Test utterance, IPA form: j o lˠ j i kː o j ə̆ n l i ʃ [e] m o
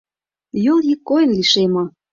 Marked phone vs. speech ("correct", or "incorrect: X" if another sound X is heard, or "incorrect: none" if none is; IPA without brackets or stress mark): correct